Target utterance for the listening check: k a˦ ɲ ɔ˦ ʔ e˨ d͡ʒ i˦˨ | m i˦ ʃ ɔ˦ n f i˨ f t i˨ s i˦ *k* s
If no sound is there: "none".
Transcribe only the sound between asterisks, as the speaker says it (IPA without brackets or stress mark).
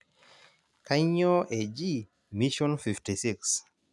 k